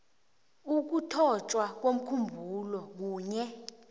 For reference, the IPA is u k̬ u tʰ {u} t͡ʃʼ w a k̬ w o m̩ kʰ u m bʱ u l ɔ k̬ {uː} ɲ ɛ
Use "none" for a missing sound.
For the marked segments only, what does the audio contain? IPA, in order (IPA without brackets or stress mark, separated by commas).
ɔ, uː